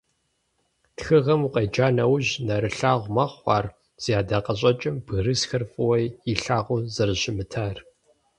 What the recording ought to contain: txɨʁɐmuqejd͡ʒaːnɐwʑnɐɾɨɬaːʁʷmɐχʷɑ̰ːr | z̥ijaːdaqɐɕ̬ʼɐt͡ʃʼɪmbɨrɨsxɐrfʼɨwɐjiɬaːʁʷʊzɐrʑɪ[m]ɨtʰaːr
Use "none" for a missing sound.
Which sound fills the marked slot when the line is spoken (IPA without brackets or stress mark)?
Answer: m